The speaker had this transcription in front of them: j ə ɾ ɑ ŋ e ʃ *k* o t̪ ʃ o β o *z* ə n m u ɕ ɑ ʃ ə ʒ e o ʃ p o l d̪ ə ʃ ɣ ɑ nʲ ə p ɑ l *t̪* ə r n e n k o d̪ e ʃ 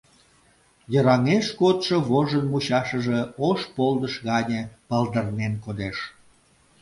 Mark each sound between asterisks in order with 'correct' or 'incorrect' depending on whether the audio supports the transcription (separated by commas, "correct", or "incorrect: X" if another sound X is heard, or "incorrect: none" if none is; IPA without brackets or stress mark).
correct, incorrect: ʒ, incorrect: d̪